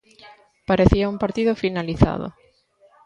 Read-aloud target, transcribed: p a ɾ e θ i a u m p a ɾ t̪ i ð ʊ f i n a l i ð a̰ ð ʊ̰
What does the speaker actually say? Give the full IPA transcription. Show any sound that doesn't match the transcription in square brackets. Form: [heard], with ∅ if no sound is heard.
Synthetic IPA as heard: p a ɾ e θ i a u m p a ɾ t̪ i ð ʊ f i n a l i [θ] a̰ ð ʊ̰